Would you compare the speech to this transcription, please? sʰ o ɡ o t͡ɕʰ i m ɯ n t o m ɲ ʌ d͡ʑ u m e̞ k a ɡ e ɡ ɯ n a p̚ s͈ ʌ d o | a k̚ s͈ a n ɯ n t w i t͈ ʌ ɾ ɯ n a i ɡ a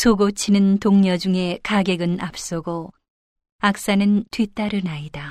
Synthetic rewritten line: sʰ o ɡ o t͡ɕʰ i n ɯ n t o ŋ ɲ ʌ d͡ʑ u ŋ e̞ k a ɡ e ɡ ɯ n a p̚ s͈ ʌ ɡ o | a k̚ s͈ a n ɯ n t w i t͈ a ɾ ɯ n a i d a